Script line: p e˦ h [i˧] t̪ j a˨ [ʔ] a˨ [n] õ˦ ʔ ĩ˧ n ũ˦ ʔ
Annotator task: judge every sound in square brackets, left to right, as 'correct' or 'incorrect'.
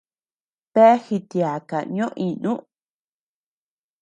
correct, incorrect, incorrect

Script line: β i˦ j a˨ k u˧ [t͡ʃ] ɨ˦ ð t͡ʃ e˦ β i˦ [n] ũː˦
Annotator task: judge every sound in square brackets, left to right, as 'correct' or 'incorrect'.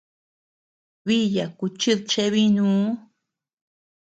correct, correct

